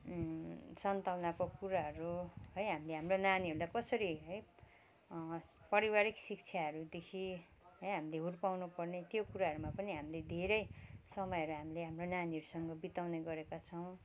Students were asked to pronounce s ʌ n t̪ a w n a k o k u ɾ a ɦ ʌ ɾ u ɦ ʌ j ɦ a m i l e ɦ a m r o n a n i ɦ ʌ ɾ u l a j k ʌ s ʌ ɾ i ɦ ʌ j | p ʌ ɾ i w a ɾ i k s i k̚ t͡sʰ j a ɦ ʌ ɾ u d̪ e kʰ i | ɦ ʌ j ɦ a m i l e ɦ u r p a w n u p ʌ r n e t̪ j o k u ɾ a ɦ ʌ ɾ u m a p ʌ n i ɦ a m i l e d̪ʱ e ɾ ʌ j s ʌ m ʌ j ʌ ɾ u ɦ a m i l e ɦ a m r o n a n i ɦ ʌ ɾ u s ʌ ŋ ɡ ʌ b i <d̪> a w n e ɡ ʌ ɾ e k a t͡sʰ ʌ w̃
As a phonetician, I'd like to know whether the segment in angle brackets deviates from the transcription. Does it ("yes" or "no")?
yes